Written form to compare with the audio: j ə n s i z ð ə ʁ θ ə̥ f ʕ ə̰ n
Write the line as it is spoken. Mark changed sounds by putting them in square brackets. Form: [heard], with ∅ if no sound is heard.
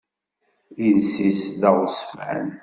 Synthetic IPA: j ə n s i [s] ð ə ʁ [s] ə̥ f ʕ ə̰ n